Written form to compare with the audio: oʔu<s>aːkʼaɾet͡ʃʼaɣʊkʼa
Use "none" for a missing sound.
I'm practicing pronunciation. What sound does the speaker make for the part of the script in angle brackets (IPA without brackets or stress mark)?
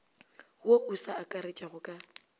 s